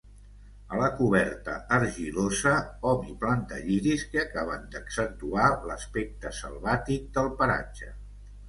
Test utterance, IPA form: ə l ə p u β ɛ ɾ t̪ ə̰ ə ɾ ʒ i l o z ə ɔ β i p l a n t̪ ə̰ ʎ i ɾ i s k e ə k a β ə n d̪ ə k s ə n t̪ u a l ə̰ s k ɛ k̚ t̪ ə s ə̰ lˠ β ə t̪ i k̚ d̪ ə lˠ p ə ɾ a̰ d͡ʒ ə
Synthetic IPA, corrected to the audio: ə l ə k u β ɛ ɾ t̪ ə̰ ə ɾ ʒ i l o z ə ɔ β i p l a n t̪ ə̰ ʎ i ɾ i s k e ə k a β ə n d̪ ə k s ə n t̪ u a l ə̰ s p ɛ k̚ t̪ ə s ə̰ lˠ β a t̪ i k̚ d̪ ə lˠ p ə ɾ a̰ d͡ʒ ə